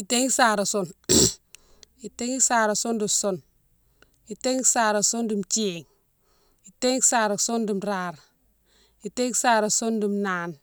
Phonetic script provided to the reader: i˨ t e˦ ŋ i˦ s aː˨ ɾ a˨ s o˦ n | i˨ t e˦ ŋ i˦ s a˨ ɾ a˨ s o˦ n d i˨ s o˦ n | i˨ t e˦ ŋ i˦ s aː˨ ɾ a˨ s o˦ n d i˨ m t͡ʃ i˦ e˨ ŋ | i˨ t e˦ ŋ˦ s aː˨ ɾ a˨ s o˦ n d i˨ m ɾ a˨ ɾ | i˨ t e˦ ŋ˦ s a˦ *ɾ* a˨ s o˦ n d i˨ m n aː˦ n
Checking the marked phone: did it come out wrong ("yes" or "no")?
no